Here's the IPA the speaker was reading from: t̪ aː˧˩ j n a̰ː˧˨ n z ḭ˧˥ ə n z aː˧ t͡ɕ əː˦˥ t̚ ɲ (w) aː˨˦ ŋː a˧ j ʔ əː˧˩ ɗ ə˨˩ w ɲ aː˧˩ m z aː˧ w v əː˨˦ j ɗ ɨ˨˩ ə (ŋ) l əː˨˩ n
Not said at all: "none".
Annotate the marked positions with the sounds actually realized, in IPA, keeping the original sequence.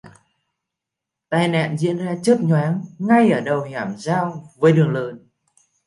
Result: w, ŋ

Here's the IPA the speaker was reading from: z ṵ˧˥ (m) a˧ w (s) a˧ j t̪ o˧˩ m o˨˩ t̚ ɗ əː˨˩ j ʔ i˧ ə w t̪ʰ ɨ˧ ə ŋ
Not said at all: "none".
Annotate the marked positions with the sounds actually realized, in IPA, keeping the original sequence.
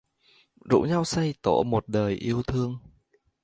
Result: ɲ, s

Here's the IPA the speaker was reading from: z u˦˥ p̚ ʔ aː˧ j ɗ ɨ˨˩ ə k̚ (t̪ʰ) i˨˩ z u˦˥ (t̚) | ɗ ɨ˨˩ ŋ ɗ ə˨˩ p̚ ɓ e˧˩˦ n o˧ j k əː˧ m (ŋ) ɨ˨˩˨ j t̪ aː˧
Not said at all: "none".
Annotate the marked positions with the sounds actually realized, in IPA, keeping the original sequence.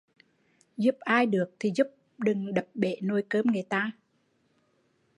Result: t̪ʰ, p̚, ŋ

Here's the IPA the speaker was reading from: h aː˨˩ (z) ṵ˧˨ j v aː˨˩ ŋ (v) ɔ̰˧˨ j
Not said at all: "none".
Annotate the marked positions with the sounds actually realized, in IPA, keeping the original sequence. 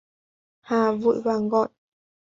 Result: v, ɣ

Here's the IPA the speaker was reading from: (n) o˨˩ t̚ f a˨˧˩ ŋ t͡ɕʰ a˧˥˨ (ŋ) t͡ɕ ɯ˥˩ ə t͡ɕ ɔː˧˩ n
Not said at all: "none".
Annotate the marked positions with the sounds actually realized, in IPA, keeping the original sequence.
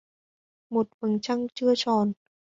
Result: m, ŋ

